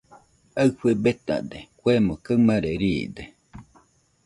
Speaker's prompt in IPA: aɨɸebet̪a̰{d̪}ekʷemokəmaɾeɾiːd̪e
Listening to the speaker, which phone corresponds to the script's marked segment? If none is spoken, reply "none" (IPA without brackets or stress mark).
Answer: d̪